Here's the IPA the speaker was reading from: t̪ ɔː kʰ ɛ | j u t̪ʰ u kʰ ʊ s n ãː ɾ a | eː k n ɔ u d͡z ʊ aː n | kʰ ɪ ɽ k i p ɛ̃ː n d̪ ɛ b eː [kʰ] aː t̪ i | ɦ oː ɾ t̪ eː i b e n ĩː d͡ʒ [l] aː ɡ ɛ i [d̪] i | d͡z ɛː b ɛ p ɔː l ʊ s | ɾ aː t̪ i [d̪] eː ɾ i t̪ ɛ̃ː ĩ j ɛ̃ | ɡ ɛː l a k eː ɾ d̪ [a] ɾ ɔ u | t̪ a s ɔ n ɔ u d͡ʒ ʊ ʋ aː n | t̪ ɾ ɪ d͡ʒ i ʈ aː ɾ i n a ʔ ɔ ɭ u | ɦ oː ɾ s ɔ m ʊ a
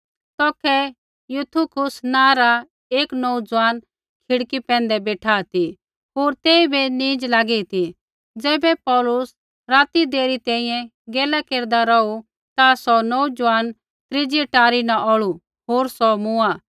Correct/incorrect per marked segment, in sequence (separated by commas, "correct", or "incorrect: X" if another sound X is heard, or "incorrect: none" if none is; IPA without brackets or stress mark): incorrect: ʈʰ, correct, incorrect: t̪, correct, correct